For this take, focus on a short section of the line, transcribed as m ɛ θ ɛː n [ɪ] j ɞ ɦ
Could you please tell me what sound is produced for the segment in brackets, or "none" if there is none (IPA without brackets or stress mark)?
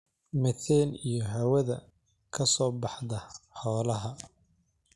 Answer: i